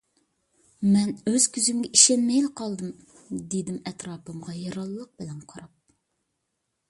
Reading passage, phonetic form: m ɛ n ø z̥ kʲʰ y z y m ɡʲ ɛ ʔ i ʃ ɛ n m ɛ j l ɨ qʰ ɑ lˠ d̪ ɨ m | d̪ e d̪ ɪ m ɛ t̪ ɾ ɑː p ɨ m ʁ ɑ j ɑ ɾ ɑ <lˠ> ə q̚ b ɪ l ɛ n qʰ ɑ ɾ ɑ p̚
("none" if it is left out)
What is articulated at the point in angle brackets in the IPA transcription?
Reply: lˠː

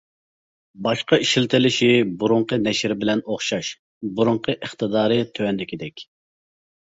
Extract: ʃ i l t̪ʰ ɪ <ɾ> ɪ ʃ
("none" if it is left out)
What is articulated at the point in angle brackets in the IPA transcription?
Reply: l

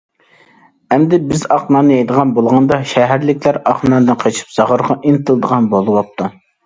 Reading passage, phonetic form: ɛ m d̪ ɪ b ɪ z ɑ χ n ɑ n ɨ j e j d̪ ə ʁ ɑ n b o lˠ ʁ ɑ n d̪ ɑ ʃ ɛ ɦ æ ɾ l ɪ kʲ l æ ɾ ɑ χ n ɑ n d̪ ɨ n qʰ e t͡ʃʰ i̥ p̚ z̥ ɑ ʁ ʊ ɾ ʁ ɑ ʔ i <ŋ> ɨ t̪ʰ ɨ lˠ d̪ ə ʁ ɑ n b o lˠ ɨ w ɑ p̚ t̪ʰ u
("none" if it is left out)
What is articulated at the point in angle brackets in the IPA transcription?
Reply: n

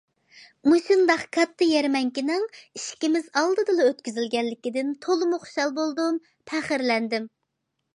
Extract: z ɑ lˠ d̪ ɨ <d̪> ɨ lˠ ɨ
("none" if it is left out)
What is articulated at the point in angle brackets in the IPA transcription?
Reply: d̪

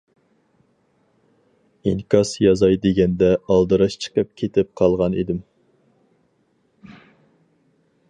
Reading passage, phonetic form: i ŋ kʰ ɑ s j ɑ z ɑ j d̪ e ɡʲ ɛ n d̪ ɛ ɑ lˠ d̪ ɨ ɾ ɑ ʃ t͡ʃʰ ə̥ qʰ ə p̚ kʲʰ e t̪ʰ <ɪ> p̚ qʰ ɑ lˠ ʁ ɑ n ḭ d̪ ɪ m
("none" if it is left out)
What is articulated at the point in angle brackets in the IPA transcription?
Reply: ɪ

